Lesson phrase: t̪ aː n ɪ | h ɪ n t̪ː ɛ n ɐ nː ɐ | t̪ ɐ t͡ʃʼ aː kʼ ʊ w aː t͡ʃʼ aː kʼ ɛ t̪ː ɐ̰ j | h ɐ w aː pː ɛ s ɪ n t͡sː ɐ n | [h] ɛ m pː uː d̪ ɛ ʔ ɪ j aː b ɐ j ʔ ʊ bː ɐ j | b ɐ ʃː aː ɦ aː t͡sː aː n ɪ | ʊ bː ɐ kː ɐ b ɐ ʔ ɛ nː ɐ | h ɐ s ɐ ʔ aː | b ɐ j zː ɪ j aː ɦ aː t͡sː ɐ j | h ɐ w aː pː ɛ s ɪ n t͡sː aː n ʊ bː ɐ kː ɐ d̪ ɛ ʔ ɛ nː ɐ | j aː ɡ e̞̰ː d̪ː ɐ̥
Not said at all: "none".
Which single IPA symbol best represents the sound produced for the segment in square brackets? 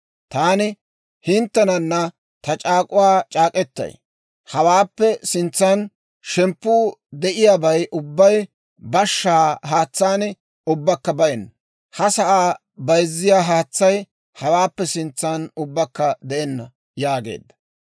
ʃ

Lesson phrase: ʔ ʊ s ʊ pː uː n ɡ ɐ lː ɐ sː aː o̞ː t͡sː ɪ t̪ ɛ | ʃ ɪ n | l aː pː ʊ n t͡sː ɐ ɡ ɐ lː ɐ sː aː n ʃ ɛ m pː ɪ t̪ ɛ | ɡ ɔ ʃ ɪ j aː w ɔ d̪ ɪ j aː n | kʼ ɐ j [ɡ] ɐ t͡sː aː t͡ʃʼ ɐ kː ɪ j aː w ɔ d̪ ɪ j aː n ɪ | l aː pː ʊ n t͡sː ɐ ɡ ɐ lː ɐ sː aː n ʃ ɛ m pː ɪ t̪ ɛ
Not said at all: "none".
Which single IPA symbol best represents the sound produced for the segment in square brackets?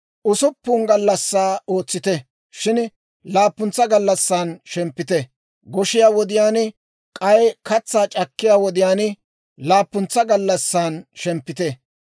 k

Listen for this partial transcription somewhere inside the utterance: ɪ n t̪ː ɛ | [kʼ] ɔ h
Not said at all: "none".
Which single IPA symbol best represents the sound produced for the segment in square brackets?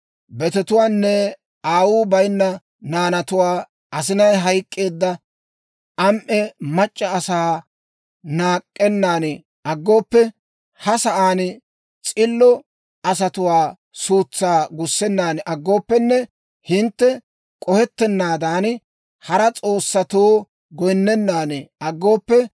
kʼ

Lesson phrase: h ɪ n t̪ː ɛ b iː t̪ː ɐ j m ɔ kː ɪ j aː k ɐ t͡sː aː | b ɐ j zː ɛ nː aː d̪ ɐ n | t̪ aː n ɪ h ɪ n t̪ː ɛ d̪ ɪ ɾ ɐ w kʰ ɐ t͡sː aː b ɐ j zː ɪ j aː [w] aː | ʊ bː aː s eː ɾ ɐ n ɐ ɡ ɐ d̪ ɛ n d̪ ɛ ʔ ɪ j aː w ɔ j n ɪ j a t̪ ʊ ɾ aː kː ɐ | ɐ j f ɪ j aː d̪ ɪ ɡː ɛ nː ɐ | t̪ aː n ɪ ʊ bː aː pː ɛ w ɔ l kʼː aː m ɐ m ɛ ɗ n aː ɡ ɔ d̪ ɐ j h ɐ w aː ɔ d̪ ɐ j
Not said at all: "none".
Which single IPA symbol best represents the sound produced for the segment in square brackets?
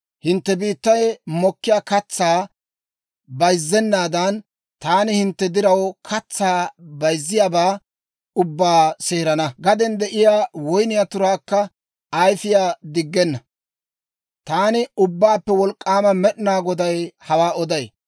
b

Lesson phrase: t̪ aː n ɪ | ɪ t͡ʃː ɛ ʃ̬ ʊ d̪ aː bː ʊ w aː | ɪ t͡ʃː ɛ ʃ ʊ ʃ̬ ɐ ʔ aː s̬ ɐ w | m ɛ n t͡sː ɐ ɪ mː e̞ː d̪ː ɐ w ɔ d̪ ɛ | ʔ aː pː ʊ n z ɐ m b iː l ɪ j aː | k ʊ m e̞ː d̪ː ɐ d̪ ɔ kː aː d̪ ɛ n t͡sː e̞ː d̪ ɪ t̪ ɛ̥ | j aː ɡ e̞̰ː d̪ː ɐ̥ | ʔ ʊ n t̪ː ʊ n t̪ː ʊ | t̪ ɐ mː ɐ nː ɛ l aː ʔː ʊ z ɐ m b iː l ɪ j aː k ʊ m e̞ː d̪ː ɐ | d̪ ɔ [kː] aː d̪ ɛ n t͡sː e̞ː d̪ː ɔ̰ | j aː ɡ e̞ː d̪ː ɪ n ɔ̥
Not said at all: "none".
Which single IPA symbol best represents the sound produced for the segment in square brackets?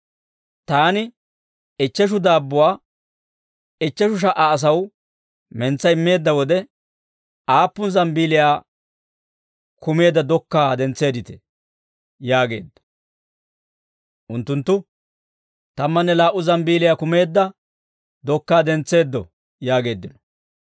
kː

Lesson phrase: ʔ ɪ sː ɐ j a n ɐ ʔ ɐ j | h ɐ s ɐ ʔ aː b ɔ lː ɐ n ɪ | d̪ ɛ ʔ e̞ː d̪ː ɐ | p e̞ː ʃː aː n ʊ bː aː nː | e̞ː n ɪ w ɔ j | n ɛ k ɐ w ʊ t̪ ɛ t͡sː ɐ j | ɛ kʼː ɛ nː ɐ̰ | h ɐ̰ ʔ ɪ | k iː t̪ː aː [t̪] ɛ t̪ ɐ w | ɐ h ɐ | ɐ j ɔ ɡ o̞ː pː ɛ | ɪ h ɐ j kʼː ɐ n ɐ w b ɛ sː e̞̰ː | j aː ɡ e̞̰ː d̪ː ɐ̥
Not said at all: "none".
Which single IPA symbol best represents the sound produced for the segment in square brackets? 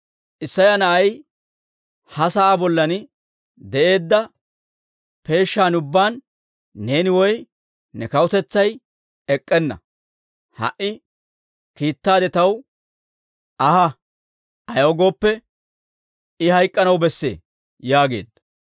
d̪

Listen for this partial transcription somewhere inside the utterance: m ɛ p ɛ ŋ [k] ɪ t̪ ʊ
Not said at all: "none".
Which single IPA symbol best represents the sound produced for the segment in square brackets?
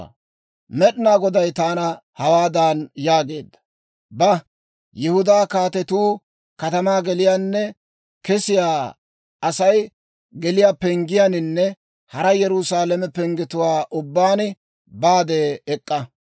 ɡ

